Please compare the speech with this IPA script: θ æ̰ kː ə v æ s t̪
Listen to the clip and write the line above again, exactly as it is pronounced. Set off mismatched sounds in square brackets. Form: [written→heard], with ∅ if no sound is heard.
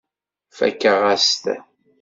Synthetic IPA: [θ→f] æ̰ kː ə [v→ʁ] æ s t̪